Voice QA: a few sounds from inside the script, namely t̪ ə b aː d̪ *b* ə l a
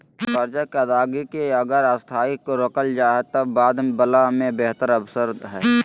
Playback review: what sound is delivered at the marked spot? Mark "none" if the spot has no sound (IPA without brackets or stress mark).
b